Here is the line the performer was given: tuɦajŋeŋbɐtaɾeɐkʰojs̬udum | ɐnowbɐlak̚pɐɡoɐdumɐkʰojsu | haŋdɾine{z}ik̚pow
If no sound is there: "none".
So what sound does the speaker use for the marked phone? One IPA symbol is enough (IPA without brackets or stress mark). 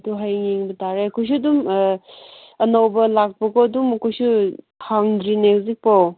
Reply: z